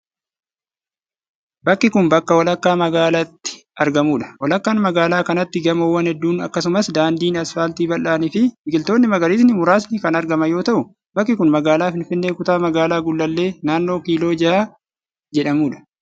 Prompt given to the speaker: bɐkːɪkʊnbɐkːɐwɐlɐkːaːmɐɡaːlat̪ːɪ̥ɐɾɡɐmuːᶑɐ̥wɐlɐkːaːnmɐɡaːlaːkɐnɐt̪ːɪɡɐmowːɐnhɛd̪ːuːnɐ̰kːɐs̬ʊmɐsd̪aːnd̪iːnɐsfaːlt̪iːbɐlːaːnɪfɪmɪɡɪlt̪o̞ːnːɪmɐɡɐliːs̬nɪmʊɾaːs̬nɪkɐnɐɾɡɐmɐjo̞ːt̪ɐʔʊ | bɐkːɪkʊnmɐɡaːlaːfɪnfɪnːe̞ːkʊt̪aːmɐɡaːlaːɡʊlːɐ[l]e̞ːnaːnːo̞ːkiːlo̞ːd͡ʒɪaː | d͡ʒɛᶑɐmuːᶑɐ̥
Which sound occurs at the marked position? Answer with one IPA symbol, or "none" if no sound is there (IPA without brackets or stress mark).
lː